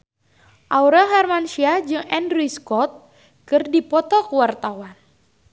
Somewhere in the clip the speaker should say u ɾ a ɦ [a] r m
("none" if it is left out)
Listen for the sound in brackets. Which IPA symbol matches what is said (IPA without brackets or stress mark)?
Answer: a